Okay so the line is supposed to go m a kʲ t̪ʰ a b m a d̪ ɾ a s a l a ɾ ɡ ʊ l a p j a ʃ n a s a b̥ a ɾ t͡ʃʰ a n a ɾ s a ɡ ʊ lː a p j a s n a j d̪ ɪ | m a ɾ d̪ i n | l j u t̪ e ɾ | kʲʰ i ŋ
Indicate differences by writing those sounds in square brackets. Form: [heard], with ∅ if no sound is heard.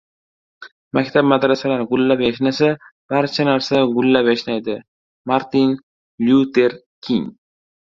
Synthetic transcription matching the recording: m a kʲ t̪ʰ a b m a d̪ ɾ a s a l a ɾ ɡ ʊ [lː] a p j a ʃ n a s a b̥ a ɾ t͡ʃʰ a n a ɾ s a ɡ ʊ lː a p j a [ʃ] n a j d̪ ɪ | m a ɾ [t̪] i n | l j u t̪ e ɾ | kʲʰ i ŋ